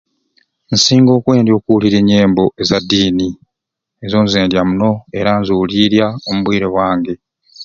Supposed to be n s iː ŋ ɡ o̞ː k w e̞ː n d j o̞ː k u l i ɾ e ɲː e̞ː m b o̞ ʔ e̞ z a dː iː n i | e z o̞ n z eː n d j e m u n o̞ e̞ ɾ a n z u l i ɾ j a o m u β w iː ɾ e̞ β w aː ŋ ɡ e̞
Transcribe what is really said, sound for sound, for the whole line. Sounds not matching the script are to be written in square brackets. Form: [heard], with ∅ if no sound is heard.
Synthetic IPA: n s iː ŋ ɡ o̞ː k w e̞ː n d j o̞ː k u l i ɾ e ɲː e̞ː m b o̞ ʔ e̞ z a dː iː n i | e z o̞ n z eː n d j [a] m u n o̞ e̞ ɾ a n z u l i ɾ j a o m u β w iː ɾ e̞ β w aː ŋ ɡ e̞